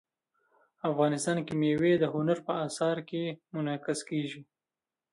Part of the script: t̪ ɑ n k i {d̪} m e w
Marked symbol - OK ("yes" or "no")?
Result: no